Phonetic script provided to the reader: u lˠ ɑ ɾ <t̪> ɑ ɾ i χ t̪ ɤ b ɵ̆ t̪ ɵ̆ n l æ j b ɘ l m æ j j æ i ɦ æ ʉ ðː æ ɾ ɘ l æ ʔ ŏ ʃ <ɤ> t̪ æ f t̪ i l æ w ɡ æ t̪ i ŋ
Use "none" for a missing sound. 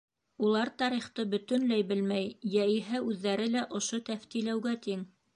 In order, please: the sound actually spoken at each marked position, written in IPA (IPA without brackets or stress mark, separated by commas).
t̪, o